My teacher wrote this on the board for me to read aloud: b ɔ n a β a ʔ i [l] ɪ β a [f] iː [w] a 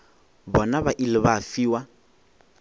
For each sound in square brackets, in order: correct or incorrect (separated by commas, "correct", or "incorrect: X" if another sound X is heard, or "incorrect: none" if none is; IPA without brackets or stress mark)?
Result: correct, correct, correct